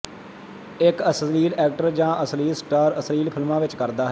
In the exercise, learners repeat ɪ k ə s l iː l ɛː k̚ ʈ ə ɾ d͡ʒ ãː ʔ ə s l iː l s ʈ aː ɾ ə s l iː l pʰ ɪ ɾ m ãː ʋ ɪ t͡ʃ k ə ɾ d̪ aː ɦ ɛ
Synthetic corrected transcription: ɪ k ə s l iː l ɛː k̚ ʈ ə ɾ d͡ʒ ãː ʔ ə s l iː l s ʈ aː ɾ ə s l iː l pʰ ɪ l m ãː ʋ ɪ t͡ʃ k ə ɾ d̪ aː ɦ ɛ